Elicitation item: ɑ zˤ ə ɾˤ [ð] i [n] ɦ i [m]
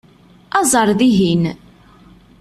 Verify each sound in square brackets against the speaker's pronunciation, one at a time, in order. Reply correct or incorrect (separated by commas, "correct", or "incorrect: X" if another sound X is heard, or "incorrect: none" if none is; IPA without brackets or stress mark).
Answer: correct, incorrect: none, incorrect: n